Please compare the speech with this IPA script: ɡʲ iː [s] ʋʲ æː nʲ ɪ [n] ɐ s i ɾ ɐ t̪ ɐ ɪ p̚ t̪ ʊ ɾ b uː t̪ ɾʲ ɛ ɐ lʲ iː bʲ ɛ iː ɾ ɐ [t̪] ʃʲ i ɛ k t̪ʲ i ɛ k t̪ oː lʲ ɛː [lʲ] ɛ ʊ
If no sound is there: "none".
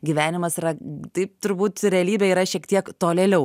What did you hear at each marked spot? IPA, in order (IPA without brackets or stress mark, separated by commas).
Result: none, m, none, lʲ